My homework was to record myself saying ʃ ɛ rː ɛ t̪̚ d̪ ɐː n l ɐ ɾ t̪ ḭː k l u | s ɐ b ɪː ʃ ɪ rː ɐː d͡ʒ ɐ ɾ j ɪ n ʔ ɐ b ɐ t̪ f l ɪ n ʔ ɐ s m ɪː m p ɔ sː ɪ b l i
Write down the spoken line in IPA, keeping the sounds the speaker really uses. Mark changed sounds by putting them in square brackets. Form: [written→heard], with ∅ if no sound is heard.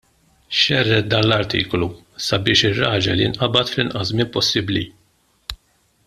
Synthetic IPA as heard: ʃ ɛ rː ɛ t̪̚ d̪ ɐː n l ɐ ɾ t̪ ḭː k l u | s ɐ b ɪː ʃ ɪ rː ɐː d͡ʒ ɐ [ɾ→l] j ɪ n ʔ ɐ b ɐ t̪ f l ɪ n ʔ ɐ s m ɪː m p ɔ sː ɪ b l i